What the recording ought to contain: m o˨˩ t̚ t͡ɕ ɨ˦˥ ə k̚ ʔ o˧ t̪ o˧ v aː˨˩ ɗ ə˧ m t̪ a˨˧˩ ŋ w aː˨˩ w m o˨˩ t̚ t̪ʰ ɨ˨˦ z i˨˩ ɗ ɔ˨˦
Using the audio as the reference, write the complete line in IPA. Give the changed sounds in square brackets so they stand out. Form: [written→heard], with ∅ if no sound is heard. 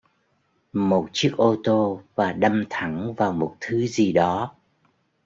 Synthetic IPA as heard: m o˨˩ t̚ t͡ɕ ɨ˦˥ ə k̚ ʔ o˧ t̪ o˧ v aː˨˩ ɗ ə˧ m [t̪→t̪ʰ] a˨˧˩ ŋ [w→v] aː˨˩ w m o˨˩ t̚ t̪ʰ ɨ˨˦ z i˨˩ ɗ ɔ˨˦